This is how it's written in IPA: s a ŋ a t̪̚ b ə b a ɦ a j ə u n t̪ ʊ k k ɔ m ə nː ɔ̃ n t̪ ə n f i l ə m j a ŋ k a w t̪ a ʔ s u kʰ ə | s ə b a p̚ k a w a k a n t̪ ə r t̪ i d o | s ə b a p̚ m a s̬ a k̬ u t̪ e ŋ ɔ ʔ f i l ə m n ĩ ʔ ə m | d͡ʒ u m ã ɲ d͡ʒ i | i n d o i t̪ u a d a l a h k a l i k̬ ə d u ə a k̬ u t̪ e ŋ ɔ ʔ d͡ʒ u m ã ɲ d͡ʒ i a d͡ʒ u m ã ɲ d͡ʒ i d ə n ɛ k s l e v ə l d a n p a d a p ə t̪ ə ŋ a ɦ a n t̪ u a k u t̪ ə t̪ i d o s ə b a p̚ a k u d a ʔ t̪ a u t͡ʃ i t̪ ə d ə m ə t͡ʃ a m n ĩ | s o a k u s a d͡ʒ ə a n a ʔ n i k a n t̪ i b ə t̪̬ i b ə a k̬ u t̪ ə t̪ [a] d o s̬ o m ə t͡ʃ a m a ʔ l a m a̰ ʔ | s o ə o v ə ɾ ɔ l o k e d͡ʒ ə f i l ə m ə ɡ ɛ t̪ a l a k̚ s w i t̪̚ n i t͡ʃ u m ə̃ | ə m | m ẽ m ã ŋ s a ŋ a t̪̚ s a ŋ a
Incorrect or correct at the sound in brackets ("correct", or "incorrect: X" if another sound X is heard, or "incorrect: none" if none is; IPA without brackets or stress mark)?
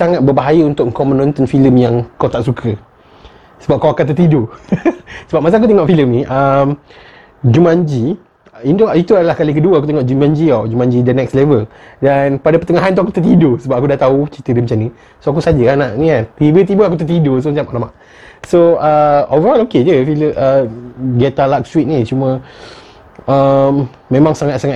incorrect: i